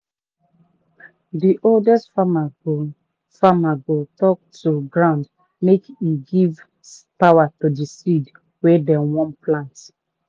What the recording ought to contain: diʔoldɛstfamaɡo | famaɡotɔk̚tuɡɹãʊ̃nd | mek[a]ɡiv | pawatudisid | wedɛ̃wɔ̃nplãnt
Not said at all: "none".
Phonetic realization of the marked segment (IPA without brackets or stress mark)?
i